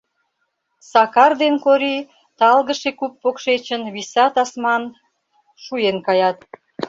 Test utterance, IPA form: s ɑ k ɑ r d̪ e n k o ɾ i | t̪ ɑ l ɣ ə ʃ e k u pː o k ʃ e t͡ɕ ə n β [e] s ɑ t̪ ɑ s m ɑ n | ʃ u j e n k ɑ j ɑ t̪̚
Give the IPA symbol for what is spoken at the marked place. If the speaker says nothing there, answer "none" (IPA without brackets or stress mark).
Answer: i